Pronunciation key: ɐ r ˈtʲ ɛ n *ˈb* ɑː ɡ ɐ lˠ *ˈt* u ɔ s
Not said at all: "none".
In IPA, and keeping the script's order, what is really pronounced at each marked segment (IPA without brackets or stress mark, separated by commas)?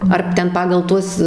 p, t